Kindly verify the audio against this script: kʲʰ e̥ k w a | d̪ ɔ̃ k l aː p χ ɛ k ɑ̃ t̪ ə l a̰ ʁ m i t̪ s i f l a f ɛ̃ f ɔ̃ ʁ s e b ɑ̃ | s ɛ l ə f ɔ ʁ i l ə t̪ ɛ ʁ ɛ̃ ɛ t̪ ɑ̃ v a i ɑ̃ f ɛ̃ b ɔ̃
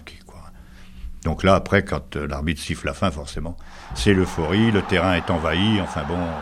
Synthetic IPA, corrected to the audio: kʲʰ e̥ k w a | d̪ ɔ̃ k l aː p χ ɛ k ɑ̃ t̪ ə l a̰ ʁ m i t̪ s i f l a f ɛ̃ f ɔ ʁ s e m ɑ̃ | s ɛ l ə f ɔ ʁ i l ə t̪ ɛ ʁ ɛ̃ ɛ t̪ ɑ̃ v a i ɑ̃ f ɛ̃ b ɔ̃